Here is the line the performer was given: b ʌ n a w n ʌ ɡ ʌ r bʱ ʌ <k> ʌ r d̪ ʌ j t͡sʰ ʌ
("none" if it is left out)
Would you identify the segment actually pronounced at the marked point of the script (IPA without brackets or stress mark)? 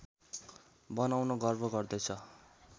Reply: ɡ